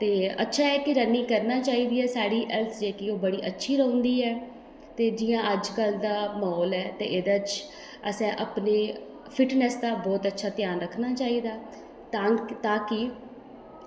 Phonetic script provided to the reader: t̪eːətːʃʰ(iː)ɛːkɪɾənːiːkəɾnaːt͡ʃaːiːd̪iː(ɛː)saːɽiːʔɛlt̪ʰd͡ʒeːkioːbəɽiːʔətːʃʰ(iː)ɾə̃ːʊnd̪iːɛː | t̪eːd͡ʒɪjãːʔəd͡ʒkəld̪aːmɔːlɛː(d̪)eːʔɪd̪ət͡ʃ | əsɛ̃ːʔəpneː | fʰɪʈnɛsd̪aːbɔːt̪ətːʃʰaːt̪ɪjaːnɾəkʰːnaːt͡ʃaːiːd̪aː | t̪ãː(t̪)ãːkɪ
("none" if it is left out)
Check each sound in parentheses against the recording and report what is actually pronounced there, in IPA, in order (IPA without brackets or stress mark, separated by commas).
aː, ɛː, iː, t̪, t̪